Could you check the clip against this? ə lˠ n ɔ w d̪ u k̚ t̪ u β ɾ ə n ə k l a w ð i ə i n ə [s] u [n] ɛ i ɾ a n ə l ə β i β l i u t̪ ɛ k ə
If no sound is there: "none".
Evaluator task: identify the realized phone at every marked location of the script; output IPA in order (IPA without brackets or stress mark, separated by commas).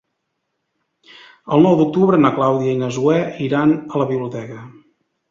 z, none